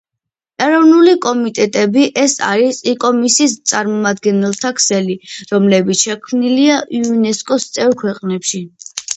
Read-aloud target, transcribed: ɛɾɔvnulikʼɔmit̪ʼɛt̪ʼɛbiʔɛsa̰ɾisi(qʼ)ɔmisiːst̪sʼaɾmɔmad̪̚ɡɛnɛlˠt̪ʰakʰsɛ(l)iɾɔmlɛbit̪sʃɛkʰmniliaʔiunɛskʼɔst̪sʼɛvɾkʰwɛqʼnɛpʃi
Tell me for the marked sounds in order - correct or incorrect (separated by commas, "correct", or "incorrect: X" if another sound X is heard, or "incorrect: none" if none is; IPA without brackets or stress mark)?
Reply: incorrect: kʼ, correct